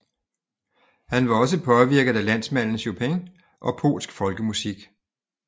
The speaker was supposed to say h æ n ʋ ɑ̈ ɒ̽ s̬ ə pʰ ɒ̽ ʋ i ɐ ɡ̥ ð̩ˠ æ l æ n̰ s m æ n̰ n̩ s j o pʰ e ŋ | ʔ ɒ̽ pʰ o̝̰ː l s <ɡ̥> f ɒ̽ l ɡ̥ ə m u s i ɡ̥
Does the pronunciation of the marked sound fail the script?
no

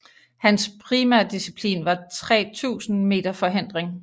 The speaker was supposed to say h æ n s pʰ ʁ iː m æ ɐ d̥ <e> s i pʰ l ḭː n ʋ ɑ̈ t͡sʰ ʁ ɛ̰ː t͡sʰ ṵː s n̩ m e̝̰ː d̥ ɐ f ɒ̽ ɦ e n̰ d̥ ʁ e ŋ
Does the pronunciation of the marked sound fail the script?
yes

